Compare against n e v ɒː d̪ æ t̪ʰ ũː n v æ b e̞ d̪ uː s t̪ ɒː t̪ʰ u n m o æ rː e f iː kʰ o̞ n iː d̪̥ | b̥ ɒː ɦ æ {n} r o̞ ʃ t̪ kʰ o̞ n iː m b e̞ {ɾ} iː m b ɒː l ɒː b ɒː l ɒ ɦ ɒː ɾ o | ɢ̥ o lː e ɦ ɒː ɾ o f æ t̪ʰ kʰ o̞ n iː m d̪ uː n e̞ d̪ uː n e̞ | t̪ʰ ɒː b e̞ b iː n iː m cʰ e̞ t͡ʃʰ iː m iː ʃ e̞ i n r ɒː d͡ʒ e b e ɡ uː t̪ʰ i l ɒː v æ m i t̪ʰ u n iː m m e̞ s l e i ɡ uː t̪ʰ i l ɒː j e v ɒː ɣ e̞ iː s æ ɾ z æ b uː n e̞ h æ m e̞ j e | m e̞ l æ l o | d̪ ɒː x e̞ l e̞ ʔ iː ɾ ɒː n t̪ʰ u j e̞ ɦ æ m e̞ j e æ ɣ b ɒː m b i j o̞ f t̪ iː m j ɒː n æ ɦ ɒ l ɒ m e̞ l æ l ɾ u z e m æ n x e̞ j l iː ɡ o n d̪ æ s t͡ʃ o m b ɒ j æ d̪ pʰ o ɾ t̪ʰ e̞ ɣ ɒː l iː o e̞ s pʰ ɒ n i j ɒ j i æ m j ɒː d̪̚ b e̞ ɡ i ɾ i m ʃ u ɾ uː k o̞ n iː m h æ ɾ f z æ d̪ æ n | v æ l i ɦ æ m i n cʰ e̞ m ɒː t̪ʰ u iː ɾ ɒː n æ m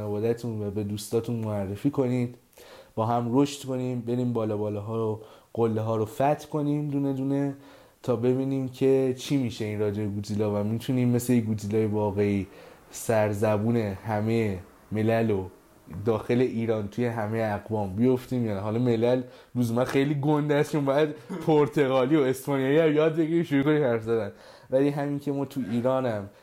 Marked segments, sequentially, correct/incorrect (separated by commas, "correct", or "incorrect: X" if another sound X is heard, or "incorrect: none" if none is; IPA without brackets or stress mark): incorrect: m, correct